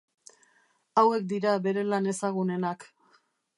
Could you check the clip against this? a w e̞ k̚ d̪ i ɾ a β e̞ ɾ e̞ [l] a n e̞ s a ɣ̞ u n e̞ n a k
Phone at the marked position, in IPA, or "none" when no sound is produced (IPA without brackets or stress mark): l